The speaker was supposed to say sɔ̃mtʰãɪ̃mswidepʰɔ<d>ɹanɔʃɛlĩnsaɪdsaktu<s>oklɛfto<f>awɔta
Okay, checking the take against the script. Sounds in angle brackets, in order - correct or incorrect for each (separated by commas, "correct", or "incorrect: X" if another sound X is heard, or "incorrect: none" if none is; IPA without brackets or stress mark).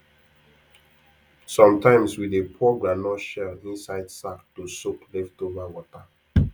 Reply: incorrect: ɡ, correct, incorrect: v